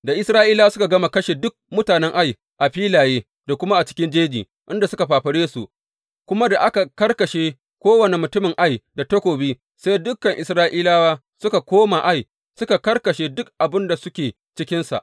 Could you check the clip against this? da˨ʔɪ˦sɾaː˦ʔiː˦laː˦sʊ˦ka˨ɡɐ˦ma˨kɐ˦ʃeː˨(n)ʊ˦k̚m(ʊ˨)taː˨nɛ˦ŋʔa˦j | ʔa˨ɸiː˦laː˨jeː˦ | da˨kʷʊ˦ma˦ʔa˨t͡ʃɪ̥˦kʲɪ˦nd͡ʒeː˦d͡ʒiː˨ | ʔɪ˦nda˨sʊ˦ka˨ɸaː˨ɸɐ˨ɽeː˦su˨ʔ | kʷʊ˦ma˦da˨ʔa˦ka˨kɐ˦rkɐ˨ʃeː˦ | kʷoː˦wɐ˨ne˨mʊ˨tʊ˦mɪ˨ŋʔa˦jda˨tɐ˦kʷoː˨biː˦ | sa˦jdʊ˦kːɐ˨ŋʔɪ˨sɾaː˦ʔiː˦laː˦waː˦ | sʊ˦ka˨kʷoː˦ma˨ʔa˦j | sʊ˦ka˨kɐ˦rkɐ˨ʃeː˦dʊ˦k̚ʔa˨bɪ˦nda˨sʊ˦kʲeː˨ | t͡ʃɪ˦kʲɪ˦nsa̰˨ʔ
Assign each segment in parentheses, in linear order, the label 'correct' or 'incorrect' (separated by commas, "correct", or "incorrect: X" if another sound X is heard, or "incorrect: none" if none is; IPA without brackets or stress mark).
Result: incorrect: d, incorrect: ʊ˦